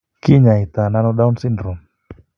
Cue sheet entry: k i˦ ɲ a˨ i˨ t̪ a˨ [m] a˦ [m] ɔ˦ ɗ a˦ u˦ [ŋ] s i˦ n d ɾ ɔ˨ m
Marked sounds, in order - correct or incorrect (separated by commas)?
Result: incorrect, incorrect, incorrect